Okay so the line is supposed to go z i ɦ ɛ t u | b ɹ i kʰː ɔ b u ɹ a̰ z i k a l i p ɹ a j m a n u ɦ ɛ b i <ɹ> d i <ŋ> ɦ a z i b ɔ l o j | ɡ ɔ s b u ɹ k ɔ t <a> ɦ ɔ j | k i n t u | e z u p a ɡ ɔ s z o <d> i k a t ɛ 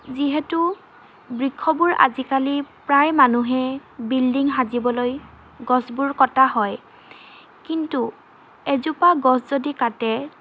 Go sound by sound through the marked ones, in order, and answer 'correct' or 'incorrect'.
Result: incorrect: l, correct, correct, correct

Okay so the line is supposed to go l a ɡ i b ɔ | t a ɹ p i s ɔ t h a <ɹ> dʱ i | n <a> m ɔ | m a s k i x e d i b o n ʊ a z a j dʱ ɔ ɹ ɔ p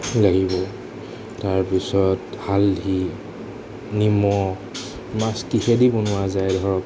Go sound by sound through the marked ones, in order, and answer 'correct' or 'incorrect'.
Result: incorrect: l, incorrect: i

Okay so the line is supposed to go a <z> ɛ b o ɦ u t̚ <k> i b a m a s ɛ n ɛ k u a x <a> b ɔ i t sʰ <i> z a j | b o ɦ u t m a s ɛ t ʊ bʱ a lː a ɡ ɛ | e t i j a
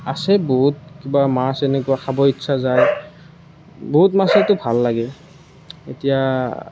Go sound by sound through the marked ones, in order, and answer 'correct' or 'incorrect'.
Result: incorrect: s, correct, correct, incorrect: a

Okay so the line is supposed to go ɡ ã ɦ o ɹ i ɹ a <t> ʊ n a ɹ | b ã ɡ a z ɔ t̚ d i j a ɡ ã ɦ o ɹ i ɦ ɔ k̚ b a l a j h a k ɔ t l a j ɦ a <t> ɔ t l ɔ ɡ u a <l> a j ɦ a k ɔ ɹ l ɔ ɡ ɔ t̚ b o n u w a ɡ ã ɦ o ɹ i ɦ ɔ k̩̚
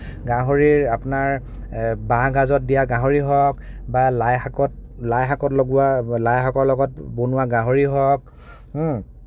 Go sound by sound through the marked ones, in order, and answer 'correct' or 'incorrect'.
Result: incorrect: p, incorrect: k, correct

